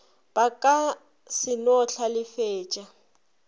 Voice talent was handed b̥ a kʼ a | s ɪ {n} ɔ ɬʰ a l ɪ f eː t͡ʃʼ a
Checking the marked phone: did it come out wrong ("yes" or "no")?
no